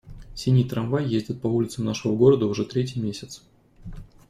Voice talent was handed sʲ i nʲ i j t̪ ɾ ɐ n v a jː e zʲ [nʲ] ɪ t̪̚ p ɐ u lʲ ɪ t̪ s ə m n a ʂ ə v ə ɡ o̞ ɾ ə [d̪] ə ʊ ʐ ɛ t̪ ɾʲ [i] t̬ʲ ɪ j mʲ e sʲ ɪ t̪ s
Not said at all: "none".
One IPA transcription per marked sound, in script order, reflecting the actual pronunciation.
dʲ, d̪, e

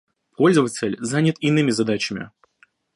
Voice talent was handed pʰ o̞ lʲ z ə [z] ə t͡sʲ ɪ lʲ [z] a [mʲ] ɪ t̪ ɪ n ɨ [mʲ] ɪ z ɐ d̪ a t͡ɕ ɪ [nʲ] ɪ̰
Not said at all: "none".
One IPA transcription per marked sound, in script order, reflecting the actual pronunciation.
v, z, nʲ, mʲ, mʲ

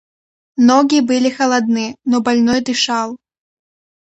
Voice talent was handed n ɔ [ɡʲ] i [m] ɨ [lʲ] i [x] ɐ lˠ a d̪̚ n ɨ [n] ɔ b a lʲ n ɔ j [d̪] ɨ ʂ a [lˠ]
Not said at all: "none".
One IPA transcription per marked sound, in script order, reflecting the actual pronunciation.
ɡʲ, b, lʲ, x, n, d̪, lˠ

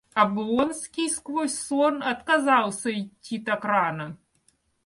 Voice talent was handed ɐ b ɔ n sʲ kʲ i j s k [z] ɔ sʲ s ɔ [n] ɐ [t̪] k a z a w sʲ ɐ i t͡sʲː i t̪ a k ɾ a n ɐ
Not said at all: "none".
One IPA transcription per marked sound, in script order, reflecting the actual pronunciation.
v, n, t̪

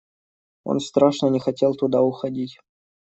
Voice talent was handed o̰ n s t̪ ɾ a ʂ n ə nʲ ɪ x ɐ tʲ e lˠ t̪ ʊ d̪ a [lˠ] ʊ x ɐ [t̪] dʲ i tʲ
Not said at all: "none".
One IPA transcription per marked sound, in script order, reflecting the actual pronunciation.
none, none

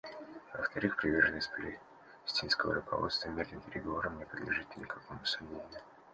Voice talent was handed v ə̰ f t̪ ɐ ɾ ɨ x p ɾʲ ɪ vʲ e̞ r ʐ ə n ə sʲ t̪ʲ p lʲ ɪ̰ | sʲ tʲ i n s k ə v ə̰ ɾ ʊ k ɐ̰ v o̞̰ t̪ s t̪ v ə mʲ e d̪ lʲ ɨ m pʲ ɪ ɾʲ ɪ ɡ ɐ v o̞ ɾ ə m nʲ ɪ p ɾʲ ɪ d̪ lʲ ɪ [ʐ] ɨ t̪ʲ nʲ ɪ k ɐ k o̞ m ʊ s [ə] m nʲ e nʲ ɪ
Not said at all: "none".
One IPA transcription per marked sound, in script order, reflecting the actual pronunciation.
ʐ, ɐ

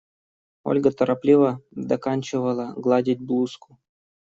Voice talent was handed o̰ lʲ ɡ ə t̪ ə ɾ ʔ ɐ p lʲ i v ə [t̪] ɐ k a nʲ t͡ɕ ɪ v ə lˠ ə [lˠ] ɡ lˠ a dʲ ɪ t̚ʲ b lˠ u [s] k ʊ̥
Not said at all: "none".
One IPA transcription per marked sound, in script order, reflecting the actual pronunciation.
d̪, none, s

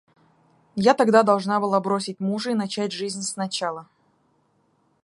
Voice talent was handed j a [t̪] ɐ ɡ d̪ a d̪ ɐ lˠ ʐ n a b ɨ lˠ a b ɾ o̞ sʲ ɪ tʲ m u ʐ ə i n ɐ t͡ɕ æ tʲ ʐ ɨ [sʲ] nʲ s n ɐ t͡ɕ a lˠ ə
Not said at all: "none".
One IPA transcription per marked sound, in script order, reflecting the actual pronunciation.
t̪, zʲ

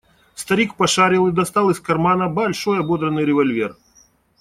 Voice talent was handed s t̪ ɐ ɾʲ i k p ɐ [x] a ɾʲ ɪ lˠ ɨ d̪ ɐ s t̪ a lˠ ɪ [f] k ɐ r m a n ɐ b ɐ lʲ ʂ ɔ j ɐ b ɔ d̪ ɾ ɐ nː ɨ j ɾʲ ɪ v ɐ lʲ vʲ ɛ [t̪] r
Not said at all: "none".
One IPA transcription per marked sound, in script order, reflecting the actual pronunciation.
ʂ, s, none

